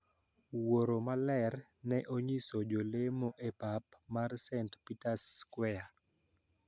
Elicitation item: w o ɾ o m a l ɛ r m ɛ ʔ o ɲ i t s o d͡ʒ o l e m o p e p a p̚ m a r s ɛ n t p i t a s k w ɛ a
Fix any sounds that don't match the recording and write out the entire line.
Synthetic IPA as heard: w o ɾ o m a l ɛ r n ɛ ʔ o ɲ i s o d͡ʒ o l e m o ʔ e p a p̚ m a r s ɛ n t p i t a s k w ɛ a